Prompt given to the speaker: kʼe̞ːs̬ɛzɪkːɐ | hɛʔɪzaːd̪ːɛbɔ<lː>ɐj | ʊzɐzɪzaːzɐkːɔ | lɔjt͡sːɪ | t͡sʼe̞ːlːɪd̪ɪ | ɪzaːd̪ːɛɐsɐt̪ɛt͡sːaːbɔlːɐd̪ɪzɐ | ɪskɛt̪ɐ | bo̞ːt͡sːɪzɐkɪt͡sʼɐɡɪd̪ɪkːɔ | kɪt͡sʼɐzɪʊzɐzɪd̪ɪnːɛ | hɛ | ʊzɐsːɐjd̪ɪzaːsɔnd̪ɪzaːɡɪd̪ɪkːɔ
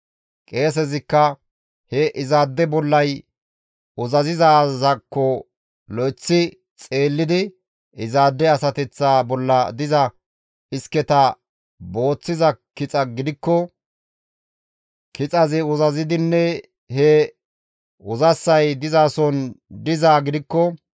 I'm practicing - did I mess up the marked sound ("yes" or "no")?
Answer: no